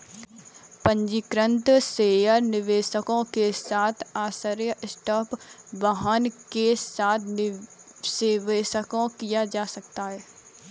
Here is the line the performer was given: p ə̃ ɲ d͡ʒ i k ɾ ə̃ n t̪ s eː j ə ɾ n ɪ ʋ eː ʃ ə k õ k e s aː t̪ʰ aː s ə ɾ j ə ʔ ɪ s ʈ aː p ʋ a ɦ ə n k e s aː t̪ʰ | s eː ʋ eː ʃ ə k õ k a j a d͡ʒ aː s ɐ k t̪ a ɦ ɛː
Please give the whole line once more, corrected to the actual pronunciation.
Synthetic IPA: p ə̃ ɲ d͡ʒ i k ɾ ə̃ n t̪ s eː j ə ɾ n ɪ ʋ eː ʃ ə k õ k e s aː t̪ʰ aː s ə ɾ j ə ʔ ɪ s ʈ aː p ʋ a ɦ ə n k e s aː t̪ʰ | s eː ʋ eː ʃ ə k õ k i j a d͡ʒ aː s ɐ k t̪ a ɦ ɛː